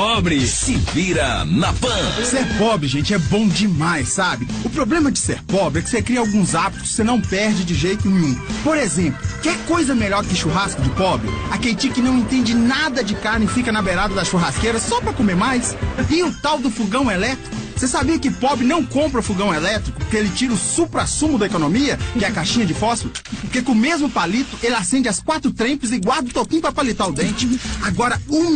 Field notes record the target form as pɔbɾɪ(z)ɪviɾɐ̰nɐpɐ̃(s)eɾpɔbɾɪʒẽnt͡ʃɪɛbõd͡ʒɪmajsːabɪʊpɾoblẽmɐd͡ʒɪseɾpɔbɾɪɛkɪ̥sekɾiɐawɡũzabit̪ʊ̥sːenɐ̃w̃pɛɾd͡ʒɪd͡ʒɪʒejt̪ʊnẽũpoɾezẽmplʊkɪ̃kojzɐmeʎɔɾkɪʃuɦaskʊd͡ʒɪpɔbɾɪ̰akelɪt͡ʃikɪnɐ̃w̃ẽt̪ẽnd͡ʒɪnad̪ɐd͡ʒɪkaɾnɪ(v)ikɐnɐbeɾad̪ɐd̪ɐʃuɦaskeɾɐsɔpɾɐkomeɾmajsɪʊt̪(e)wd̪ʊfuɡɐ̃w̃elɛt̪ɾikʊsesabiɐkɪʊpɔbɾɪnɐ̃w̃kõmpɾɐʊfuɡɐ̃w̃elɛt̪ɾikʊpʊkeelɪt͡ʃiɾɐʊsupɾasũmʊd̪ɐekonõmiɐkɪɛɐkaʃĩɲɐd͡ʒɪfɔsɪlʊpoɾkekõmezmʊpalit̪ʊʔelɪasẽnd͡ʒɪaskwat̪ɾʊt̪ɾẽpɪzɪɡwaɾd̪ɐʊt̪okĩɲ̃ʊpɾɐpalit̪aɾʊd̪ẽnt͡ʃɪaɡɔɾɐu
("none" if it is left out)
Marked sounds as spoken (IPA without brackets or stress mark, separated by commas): s, s, f, a